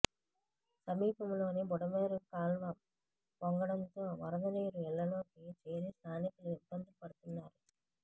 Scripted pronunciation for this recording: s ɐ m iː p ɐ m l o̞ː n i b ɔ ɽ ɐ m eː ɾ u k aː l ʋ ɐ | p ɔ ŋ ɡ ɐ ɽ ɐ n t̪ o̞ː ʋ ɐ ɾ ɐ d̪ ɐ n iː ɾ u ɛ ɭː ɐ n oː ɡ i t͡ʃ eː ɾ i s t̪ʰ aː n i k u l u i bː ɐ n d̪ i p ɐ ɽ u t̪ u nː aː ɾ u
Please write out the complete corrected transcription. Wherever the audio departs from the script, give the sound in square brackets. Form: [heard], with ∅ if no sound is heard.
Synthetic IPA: s ɐ m iː p ɐ m l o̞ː n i b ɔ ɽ ɐ m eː ɾ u k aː l ʋ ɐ | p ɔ ŋ ɡ ɐ ɽ ɐ n t̪ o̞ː ʋ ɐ ɾ ɐ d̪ ɐ n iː ɾ u ɛ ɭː ɐ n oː [k] i t͡ʃ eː ɾ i s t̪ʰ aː n i k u l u i bː ɐ n d̪ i p ɐ ɽ u t̪ u nː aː ɾ u

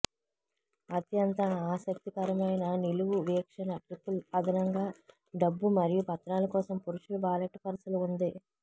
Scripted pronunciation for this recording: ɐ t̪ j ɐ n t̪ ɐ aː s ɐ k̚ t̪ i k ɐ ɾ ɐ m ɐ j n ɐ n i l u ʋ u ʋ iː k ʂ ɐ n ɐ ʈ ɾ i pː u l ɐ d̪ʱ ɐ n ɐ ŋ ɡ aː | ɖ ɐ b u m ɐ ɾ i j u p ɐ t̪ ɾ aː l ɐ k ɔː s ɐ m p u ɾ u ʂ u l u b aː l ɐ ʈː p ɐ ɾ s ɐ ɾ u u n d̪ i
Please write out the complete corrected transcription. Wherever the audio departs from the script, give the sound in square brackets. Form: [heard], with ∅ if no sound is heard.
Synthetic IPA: ɐ t̪ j ɐ n t̪ ɐ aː s ɐ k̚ t̪ i k ɐ ɾ ɐ m ɐ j n ɐ n i l u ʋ u ʋ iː k ʂ ɐ n ɐ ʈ ɾ i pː u l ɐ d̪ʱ ɐ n ɐ ŋ ɡ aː | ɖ ɐ [bː] u m ɐ ɾ i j u p ɐ t̪ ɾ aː l ɐ k ɔː s ɐ m p u ɾ u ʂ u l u b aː l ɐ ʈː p ɐ ɾ s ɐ [l] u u n d̪ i

